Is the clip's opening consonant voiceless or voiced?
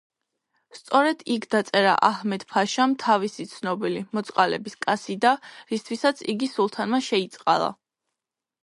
voiceless